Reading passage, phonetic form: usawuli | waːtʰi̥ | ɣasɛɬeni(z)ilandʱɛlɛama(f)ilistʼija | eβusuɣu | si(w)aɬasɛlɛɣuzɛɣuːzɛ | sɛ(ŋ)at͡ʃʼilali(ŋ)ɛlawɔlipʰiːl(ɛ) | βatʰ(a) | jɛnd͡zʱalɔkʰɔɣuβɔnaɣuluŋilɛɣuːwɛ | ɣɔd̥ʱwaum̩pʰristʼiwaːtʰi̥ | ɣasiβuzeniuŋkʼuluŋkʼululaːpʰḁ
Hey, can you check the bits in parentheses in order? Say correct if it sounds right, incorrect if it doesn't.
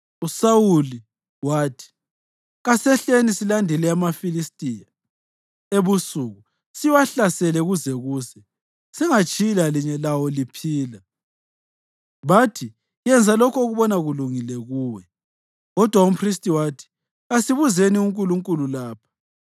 incorrect: s, correct, correct, correct, incorrect: ɲ, incorrect: a, incorrect: i

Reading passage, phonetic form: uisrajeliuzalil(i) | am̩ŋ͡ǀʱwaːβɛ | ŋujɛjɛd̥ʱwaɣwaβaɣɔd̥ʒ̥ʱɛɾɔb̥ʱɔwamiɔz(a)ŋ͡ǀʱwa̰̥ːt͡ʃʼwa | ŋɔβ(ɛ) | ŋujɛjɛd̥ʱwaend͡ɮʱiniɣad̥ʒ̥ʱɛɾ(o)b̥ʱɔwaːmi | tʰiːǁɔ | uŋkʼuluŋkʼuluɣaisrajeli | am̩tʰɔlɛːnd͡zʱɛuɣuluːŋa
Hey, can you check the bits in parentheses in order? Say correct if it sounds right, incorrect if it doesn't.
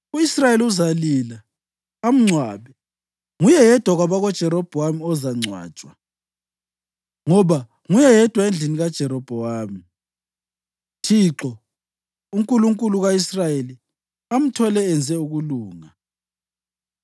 incorrect: a, correct, incorrect: a, incorrect: ɔ

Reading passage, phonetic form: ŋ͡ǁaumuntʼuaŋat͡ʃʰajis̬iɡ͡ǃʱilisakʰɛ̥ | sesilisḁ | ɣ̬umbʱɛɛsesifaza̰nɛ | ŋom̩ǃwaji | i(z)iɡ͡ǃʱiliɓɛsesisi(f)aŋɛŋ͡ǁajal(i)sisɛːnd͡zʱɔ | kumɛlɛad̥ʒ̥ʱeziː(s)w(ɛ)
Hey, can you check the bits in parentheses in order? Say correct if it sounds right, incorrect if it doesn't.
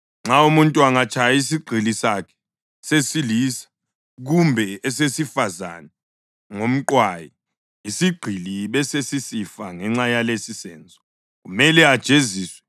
incorrect: s, correct, incorrect: e, correct, correct

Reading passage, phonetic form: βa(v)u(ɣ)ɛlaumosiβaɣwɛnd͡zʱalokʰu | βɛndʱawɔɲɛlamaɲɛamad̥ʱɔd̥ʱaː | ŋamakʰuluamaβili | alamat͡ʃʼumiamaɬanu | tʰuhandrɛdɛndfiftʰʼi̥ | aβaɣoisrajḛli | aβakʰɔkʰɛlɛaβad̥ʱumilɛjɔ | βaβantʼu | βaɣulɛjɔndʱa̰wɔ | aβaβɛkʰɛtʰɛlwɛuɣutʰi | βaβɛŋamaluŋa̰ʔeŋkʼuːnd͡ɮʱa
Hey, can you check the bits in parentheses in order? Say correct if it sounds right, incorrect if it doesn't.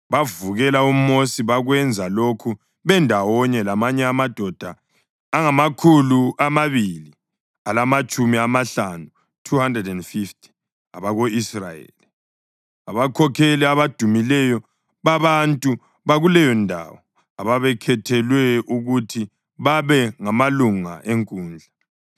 correct, correct

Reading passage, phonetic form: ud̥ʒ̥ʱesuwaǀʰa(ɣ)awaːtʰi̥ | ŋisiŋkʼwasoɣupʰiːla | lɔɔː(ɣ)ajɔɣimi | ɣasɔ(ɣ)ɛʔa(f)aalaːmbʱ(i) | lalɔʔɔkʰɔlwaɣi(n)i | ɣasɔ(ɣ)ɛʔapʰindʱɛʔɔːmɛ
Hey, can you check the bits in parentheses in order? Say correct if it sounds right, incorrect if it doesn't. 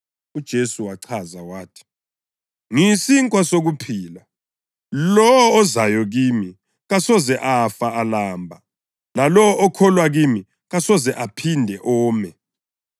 incorrect: z, incorrect: z, incorrect: z, correct, incorrect: a, incorrect: m, incorrect: z

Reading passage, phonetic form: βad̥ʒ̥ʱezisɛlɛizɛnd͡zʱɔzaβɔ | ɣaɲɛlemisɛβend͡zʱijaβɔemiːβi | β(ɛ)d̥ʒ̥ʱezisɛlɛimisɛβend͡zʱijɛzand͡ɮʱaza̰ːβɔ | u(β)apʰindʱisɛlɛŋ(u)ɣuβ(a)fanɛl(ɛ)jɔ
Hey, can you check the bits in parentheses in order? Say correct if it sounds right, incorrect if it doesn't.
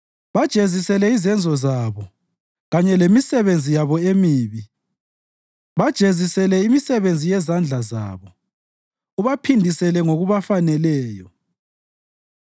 incorrect: a, correct, incorrect: o, correct, incorrect: ɛː

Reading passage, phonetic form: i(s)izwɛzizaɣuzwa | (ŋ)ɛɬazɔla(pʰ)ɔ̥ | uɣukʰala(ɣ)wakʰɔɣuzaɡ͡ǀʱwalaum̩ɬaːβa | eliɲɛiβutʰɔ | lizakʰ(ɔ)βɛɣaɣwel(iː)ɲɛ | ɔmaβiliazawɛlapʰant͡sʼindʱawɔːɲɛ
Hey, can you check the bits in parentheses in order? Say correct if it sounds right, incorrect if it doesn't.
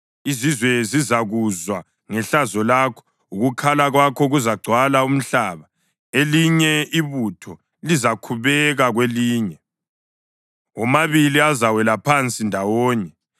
incorrect: z, correct, incorrect: kʰ, correct, incorrect: u, correct

